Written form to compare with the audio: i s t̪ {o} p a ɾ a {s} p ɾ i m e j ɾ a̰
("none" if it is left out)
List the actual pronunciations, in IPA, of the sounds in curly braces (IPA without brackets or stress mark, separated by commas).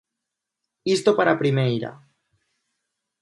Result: o, none